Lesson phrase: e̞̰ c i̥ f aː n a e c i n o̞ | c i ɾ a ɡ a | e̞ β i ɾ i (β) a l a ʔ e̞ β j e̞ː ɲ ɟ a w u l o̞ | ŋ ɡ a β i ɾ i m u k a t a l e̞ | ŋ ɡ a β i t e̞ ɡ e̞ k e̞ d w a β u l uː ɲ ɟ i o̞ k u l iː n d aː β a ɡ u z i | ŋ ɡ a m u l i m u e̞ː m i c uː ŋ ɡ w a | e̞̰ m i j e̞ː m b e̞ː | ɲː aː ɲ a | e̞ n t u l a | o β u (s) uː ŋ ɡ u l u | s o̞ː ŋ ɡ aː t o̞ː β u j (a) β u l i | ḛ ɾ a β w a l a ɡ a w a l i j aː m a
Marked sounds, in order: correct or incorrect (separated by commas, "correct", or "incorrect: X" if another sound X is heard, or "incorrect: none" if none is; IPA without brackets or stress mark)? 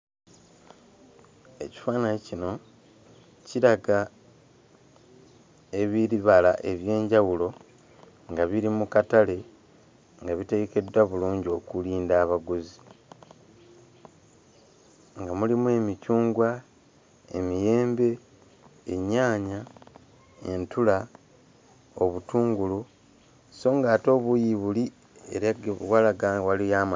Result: correct, incorrect: t, incorrect: i